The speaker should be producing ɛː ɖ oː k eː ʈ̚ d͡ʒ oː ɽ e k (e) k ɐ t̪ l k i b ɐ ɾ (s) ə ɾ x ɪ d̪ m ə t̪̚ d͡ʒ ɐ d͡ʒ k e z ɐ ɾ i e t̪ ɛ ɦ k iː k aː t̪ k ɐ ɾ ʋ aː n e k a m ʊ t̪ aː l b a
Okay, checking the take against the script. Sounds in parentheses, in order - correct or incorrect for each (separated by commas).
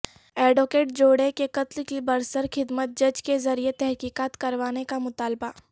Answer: correct, correct